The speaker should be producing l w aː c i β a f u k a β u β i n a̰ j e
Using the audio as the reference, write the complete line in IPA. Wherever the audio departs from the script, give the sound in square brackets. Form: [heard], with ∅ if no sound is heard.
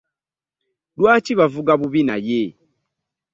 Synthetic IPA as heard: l w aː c i β a [v] u [ɡ] a β u β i n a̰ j e